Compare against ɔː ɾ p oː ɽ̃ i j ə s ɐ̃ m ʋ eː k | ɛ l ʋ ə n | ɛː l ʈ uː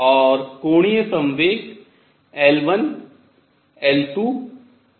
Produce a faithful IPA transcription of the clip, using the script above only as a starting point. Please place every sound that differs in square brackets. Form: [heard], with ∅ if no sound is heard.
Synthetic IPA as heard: ɔː ɾ [k] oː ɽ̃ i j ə s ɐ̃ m ʋ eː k | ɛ l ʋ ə n | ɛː l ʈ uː